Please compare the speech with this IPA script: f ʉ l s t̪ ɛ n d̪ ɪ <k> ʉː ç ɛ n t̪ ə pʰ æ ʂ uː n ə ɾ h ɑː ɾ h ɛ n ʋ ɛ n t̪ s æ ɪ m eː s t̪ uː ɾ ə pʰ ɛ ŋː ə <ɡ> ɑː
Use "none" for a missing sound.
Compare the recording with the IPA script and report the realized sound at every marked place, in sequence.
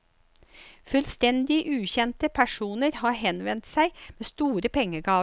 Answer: ʔ, ɡ

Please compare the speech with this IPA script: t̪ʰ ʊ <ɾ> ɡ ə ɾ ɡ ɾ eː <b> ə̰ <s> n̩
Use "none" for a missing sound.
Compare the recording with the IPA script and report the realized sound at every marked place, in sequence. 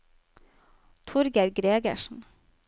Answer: ɾ, ɡ, ʃ

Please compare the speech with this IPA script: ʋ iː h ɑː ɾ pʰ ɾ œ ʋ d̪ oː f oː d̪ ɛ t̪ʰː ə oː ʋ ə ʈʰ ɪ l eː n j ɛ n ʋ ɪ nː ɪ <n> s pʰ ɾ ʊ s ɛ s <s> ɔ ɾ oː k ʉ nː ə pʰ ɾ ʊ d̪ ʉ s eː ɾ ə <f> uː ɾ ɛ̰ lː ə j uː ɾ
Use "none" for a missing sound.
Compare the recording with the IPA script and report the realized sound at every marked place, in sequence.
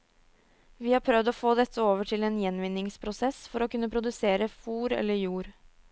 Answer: ŋ, f, f

